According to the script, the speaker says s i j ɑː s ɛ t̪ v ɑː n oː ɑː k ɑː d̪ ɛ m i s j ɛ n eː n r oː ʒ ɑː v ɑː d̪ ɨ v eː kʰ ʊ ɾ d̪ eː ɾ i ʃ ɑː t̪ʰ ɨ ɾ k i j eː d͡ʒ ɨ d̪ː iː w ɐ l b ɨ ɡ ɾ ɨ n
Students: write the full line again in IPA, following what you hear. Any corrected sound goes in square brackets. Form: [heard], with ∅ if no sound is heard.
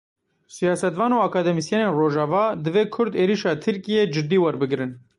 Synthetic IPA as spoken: s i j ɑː s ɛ t̪ v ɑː n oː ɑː k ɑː d̪ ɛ m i s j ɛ n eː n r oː ʒ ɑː v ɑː d̪ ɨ v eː kʰ ʊ ɾ d̪ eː ɾ i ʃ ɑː t̪ʰ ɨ ɾ k i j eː d͡ʒ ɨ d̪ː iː w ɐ [ɾ] b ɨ ɡ ɾ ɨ n